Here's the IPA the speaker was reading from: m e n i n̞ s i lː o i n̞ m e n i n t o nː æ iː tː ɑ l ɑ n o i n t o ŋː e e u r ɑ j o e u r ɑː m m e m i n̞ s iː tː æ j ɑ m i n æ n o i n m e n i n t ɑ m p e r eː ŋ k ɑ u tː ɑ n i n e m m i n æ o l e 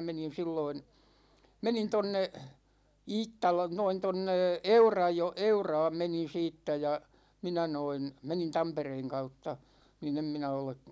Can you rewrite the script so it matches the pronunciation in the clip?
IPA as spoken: m e n i n̞ s i lː o i n̞ m e n i n t o nː e iː tː ɑ l ɑ n o i n t o nː e e u r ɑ j o e u r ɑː m m e n i n̞ s iː tː æ j ɑ m i n æ n o i n m e n i n t ɑ m p e r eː ŋ k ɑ u tː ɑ n i n e m m i n æ o l e